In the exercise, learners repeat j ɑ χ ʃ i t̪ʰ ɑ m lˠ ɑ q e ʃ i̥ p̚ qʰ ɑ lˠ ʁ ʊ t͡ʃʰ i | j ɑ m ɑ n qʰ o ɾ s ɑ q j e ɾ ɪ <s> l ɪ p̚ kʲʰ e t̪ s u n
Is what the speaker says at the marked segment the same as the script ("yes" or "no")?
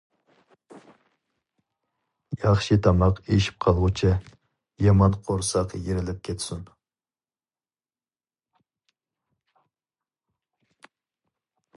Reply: no